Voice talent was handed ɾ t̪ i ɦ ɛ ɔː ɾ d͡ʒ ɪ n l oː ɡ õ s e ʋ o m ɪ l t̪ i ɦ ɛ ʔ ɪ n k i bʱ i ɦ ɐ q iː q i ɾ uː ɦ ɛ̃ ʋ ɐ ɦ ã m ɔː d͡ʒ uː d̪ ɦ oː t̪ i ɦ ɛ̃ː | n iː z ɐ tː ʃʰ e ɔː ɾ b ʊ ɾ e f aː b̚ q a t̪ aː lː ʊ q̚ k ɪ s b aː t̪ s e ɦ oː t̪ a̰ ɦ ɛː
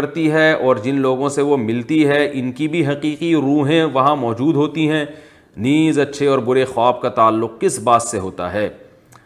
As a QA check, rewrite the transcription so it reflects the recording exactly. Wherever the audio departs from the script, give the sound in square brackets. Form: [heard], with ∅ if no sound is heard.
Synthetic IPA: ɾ t̪ i ɦ ɛ ɔː ɾ d͡ʒ ɪ n l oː ɡ õ s e ʋ o m ɪ l t̪ i ɦ ɛ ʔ ɪ n k i bʱ i ɦ ɐ q iː q i ɾ uː ɦ [ẽ] ʋ ɐ ɦ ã m ɔː d͡ʒ uː d̪ ɦ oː t̪ i ɦ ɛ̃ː | n iː z ɐ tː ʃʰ e ɔː ɾ b ʊ ɾ e [x] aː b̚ [k] a t̪ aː lː ʊ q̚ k ɪ s b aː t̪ s e ɦ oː t̪ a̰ ɦ ɛː